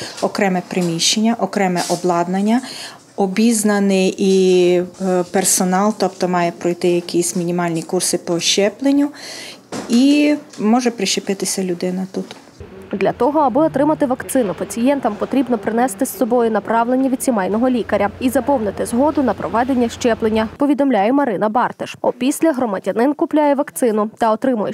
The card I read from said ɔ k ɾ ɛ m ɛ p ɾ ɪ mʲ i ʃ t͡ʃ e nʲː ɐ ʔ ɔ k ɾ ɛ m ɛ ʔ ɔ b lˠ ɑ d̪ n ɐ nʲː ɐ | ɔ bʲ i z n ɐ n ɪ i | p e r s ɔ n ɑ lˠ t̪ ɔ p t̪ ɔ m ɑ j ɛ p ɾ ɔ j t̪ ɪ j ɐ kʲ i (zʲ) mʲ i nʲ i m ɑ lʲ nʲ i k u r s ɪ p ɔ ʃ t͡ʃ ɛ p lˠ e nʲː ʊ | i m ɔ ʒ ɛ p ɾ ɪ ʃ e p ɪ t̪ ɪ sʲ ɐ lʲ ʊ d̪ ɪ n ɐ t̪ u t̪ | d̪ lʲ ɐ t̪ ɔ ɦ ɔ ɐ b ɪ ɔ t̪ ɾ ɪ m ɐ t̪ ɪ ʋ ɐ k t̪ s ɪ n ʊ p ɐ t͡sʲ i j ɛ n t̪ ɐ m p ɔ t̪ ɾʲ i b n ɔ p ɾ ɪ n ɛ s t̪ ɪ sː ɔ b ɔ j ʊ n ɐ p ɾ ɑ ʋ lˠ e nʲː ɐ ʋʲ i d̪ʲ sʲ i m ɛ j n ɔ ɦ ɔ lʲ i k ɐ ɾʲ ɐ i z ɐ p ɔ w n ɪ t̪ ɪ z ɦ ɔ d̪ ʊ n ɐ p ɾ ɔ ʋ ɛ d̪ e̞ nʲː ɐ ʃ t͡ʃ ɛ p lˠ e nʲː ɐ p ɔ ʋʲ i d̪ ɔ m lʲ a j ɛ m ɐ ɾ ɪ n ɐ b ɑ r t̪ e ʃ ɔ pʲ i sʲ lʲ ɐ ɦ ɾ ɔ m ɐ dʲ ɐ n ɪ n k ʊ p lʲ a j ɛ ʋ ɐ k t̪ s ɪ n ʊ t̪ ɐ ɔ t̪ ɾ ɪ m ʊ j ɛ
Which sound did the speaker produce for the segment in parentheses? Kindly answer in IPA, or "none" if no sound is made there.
sʲ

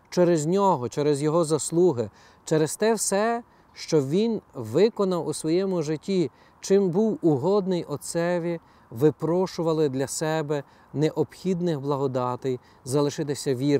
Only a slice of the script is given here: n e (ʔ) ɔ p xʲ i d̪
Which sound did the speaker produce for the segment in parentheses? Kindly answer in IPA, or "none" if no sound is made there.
ʔ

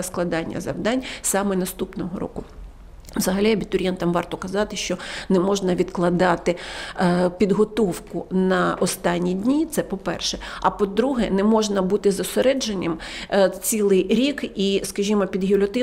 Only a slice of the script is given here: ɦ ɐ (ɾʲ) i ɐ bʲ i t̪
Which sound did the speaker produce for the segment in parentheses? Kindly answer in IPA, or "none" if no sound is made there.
lʲ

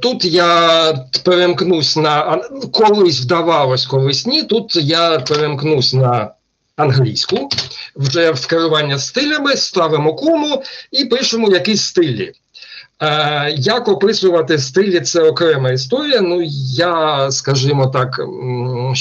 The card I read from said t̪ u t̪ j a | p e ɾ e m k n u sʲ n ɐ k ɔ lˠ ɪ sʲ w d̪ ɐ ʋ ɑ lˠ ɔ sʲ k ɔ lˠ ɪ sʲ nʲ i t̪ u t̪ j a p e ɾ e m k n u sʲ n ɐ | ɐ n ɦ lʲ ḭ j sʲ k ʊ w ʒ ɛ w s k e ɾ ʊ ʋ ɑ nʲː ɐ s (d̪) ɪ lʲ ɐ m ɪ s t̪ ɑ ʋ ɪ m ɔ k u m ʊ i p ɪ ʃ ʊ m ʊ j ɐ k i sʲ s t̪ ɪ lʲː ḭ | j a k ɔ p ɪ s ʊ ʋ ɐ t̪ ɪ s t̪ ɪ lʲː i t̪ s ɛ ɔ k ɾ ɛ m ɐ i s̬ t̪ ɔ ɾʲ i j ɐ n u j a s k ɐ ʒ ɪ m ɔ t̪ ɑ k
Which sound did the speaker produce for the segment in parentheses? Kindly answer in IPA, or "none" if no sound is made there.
t̪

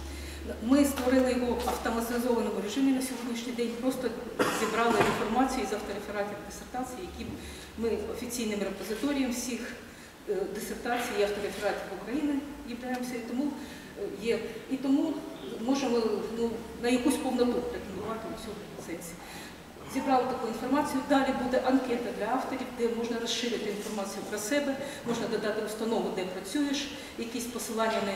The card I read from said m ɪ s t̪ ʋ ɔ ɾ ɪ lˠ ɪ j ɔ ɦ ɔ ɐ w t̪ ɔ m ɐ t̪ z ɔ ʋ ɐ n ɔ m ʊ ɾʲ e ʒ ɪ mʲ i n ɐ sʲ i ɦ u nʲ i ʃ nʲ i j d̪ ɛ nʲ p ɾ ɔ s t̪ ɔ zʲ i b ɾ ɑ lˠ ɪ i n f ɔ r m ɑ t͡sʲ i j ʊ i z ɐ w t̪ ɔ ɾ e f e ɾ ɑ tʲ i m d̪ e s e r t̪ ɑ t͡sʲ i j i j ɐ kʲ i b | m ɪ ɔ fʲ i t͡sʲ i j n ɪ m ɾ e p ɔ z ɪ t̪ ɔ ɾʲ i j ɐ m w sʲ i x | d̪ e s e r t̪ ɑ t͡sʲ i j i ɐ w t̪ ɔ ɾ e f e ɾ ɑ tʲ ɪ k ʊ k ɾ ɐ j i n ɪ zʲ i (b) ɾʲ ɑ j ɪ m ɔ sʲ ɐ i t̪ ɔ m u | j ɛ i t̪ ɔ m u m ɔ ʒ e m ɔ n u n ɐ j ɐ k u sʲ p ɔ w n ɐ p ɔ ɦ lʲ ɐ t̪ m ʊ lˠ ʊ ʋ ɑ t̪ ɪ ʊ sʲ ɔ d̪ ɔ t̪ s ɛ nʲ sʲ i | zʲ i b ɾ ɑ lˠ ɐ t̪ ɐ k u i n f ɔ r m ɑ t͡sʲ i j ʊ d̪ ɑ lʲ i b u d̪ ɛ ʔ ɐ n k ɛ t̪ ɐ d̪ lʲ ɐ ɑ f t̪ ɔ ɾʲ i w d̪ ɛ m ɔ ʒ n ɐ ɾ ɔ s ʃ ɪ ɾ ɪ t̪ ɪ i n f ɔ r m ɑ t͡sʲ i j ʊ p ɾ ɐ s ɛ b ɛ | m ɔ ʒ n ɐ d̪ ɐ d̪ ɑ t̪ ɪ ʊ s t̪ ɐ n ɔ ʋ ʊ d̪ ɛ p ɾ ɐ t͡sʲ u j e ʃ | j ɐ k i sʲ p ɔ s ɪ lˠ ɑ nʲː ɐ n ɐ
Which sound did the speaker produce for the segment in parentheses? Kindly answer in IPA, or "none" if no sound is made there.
b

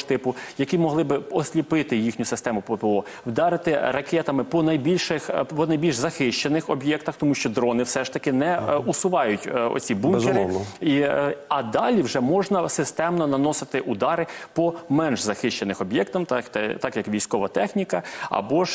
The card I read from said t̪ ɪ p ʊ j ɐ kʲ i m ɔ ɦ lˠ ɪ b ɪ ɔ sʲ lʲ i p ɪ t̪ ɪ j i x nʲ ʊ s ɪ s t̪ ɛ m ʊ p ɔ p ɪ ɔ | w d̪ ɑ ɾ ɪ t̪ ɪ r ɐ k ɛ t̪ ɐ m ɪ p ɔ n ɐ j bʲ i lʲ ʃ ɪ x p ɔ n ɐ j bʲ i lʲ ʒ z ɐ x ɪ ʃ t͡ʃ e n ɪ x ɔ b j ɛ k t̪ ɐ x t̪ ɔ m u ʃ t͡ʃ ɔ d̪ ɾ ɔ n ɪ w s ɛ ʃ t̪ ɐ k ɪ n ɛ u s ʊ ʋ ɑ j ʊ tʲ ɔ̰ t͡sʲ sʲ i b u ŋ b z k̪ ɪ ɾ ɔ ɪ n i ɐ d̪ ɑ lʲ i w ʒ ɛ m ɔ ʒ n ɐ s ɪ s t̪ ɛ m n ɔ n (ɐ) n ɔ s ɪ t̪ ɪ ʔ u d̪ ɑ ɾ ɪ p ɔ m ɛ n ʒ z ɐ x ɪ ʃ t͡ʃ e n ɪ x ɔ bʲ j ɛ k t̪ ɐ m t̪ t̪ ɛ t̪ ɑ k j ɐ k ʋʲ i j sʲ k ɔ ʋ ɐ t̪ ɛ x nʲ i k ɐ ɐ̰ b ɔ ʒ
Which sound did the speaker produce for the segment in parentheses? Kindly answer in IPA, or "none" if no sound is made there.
ɐ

